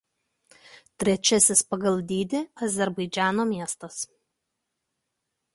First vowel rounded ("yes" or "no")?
no